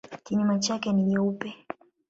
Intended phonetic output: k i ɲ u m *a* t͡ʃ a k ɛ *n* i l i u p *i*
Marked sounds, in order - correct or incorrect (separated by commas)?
correct, correct, incorrect